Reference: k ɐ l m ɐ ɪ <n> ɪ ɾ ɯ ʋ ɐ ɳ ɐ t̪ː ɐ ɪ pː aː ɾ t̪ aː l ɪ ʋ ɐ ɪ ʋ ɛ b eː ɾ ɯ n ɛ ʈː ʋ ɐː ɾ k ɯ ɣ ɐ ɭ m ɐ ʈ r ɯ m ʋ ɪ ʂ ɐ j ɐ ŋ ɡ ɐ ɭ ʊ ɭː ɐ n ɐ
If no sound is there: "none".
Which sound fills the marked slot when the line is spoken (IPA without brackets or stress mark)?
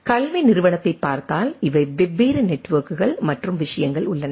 n